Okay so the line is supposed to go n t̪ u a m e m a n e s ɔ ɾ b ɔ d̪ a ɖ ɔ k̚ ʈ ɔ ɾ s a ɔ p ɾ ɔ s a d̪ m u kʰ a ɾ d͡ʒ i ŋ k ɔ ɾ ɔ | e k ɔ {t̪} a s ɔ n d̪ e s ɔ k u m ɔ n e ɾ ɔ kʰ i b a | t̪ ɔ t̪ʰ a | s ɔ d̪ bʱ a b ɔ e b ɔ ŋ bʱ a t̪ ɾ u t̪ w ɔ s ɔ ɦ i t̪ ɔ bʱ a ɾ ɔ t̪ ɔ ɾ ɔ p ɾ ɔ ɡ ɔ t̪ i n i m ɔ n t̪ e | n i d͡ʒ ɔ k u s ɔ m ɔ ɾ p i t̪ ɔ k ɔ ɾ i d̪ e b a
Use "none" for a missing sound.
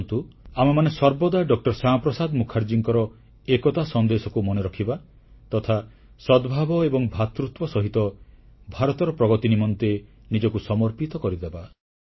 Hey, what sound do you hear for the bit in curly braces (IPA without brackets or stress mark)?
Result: t̪